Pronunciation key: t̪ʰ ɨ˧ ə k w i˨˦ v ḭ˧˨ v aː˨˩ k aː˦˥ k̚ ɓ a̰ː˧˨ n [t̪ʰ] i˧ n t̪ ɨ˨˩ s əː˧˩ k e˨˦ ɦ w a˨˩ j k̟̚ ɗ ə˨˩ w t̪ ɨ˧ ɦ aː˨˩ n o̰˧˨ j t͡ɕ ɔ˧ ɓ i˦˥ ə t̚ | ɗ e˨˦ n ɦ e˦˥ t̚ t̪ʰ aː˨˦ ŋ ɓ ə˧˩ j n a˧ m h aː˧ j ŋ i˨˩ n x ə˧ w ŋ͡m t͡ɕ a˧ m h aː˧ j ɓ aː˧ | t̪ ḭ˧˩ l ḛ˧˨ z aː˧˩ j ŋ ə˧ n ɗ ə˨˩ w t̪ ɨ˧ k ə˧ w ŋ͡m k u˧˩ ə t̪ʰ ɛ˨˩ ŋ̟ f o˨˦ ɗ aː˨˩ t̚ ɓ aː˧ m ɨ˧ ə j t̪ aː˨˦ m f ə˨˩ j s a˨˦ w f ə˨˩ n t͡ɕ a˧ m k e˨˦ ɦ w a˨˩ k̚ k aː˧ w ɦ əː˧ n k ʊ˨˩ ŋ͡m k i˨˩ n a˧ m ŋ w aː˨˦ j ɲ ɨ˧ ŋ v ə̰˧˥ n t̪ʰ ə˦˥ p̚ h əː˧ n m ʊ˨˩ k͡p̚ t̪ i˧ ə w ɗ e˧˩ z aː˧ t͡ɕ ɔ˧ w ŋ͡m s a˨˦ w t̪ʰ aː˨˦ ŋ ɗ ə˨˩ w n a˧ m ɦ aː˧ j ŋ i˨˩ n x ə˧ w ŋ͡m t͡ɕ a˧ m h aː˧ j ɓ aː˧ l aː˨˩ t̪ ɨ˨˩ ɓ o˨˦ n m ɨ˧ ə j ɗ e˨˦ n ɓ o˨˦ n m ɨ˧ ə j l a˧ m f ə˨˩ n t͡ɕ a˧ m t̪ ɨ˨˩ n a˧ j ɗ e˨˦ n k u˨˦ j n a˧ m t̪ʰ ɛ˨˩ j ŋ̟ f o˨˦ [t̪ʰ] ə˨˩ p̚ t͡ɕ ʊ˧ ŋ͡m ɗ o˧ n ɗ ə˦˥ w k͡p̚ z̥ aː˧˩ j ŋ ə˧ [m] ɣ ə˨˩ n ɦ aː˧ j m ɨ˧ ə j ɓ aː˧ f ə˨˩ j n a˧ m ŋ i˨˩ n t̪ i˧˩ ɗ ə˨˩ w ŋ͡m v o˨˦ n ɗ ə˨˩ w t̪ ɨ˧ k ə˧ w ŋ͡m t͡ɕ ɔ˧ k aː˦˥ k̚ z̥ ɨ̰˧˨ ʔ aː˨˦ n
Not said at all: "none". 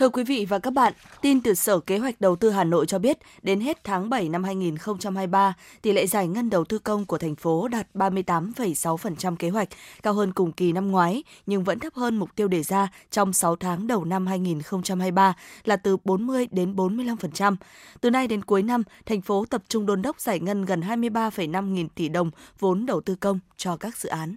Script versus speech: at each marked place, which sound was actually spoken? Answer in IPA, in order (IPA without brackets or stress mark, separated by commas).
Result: t̪, t̪, n